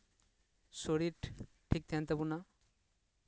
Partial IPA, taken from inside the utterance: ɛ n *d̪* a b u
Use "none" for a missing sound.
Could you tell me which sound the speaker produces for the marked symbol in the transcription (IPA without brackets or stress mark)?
t̪